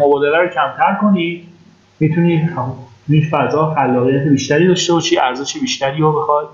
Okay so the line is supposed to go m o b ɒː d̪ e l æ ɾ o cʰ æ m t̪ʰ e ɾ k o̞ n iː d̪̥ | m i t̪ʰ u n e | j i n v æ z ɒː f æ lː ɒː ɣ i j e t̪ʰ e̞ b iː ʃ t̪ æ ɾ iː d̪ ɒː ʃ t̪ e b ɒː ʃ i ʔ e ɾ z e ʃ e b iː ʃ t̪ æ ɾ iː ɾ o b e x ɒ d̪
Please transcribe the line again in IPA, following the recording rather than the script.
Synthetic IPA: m o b ɒː d̪ e l æ ɾ o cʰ æ m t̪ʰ æ ɾ k o̞ n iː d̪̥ | m i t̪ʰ u n i | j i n f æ z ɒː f æ lː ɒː ɣ i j æ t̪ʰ e̞ b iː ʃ t̪ æ ɾ iː d̪ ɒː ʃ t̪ e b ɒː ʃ i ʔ æ ɾ z e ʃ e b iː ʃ t̪ æ ɾ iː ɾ o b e x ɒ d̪